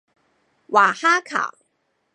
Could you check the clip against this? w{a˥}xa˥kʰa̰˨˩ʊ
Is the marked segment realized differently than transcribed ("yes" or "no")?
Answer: yes